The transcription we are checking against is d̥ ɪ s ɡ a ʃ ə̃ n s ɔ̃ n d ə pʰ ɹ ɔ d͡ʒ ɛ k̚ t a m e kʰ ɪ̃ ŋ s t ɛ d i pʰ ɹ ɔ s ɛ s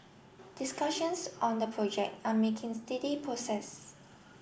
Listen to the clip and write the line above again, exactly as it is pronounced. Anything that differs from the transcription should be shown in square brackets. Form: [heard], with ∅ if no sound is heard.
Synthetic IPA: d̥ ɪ s [k] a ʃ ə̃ n s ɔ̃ n d ə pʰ ɹ ɔ d͡ʒ ɛ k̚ t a m e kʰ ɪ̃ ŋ s t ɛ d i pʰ ɹ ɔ s ɛ s